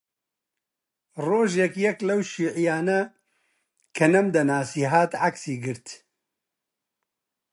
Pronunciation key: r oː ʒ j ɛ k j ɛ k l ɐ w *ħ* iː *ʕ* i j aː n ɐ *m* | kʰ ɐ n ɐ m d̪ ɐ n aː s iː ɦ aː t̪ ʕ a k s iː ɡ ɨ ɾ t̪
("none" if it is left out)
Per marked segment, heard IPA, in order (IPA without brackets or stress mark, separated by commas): ʃ, ʕ, none